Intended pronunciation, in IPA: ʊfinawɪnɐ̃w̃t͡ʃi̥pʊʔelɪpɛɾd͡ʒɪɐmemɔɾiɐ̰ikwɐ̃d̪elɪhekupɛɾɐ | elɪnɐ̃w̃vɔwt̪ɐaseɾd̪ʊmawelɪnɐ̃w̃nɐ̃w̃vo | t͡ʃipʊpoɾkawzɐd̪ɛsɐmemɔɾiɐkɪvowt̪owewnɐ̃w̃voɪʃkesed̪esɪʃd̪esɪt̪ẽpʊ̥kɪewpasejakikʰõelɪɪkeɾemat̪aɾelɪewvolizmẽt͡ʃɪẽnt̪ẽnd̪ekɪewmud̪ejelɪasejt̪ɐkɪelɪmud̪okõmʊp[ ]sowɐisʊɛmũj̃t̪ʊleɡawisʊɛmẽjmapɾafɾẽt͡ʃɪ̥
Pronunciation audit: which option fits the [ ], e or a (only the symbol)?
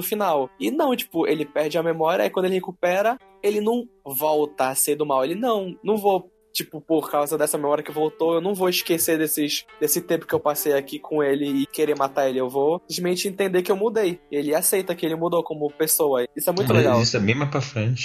e